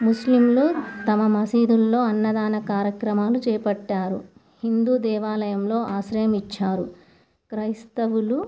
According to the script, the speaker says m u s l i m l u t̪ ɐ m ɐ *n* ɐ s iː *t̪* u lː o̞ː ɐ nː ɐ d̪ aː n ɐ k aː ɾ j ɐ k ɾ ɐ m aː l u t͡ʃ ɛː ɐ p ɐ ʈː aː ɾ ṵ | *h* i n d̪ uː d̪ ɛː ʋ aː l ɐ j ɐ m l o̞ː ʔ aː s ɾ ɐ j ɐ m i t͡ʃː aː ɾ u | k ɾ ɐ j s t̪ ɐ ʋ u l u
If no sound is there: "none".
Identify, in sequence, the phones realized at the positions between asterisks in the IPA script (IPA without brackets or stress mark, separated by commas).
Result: m, d̪, h